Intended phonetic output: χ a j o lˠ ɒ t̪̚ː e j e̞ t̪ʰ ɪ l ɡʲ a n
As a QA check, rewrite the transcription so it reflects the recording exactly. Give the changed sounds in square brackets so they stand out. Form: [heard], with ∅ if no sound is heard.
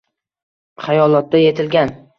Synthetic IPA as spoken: χ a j [ɒ] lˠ ɒ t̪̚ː [a] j e̞ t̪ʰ ɪ l ɡʲ a n